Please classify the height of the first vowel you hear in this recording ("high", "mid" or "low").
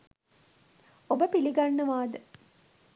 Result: mid